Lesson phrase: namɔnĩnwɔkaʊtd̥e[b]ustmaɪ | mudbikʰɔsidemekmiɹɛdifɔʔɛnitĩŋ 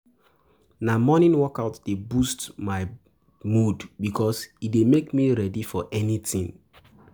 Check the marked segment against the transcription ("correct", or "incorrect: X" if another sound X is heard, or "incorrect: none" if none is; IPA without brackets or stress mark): correct